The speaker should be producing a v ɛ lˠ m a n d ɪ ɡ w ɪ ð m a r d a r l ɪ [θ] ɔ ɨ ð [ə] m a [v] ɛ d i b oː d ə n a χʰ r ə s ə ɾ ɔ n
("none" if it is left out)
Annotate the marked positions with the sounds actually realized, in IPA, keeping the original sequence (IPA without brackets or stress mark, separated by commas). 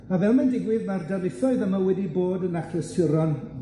θ, ə, w